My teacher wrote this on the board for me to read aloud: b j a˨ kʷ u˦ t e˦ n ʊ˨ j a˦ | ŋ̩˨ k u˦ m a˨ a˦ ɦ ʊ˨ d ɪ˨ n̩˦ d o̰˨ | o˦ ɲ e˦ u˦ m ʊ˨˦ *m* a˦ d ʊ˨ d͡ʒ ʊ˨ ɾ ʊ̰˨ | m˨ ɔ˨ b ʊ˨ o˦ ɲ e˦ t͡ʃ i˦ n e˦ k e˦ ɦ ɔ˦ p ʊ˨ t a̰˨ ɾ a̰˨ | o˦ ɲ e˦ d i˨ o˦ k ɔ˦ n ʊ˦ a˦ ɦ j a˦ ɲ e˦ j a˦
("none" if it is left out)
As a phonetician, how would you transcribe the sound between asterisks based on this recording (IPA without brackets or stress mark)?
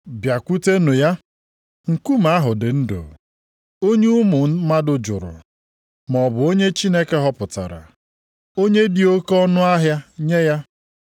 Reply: m